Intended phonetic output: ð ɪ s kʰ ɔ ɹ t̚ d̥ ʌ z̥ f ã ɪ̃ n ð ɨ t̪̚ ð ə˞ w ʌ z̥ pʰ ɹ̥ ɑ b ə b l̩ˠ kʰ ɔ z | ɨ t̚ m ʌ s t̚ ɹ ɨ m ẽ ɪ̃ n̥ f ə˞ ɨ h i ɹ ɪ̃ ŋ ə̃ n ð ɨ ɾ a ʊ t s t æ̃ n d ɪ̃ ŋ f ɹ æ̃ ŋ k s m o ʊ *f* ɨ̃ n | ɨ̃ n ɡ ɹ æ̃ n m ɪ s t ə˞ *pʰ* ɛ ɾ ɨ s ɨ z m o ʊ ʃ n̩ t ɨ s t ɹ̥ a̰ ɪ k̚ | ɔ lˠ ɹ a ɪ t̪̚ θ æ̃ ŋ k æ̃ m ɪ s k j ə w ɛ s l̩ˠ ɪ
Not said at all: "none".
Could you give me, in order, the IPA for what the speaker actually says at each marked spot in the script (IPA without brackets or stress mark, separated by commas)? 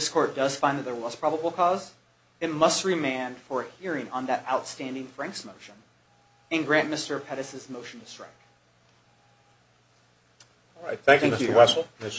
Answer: ʃ, pʰ